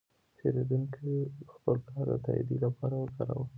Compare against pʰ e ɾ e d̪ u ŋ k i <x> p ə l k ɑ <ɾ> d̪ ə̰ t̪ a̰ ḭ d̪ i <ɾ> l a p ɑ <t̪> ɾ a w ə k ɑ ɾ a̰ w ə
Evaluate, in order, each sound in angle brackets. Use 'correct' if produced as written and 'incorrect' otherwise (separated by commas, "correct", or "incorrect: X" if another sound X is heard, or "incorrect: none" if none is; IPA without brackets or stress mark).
correct, correct, incorrect: none, incorrect: none